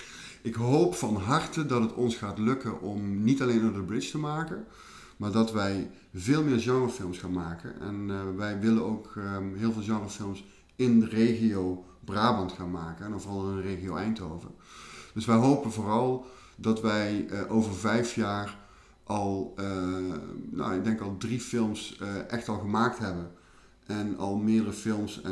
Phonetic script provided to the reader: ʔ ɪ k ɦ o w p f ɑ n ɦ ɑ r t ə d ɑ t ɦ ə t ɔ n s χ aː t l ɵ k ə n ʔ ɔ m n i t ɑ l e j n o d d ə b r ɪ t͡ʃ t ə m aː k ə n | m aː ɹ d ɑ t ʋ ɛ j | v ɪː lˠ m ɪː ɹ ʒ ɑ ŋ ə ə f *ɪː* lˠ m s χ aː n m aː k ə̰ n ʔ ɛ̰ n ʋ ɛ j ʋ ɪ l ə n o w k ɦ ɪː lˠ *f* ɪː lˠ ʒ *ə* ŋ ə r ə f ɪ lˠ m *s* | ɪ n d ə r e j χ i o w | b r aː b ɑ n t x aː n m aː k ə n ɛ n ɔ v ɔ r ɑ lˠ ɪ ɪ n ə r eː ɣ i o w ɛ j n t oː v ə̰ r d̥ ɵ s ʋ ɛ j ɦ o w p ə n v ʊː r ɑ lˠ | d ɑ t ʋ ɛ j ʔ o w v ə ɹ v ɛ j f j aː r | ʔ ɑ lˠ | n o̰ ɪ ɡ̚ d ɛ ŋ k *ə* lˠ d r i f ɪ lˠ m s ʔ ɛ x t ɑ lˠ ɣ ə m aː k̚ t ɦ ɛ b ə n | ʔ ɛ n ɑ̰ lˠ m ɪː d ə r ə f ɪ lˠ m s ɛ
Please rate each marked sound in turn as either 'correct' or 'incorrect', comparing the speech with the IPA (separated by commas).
incorrect, incorrect, incorrect, correct, incorrect